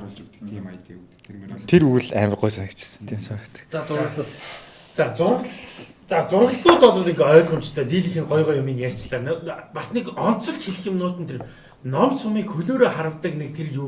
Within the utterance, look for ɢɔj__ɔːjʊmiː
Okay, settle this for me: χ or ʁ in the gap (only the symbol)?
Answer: ʁ